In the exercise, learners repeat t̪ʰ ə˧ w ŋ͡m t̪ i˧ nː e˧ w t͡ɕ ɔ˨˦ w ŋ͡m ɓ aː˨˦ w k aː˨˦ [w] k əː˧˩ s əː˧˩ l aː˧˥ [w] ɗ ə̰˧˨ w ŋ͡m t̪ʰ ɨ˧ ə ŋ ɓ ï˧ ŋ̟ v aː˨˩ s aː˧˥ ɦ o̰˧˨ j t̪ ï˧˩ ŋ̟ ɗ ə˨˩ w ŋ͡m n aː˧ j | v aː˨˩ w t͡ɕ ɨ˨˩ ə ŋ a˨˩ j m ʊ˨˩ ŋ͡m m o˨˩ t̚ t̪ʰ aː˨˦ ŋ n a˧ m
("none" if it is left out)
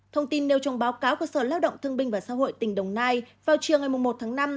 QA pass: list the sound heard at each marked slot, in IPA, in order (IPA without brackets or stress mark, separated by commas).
w, w